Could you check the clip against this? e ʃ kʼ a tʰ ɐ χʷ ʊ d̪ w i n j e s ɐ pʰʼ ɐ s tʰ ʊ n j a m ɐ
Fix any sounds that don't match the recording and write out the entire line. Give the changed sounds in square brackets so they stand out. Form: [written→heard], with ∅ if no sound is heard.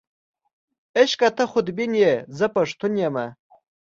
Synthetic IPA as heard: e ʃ kʼ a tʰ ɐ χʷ ʊ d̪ [w→b] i n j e [s→z] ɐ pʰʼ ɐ [s→ʂ] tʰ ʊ n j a m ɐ